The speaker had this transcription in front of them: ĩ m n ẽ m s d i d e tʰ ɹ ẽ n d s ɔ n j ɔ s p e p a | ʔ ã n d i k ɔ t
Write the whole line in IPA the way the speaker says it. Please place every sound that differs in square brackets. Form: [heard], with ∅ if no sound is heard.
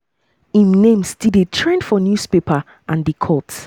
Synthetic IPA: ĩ m n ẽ m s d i d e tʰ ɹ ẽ n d [f] ɔ n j [u] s p e p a | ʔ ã n d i [kʰ] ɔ t